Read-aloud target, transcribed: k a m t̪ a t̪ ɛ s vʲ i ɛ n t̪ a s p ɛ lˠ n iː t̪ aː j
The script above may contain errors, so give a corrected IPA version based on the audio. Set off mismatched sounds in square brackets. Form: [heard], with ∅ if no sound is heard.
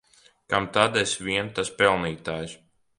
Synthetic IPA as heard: k a m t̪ a [d̪] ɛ s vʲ i ɛ n t̪ a s p ɛ lˠ n iː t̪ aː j